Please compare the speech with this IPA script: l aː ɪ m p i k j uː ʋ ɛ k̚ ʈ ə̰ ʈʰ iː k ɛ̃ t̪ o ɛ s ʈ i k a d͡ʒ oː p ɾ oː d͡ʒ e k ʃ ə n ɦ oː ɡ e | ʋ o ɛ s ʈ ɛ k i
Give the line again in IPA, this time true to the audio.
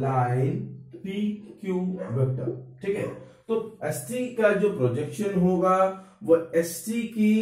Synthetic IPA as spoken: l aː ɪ n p i k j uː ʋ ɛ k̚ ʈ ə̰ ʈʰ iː k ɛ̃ t̪ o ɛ s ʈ i k a d͡ʒ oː p ɾ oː d͡ʒ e k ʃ ə n ɦ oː ɡ a | ʋ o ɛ s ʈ i k i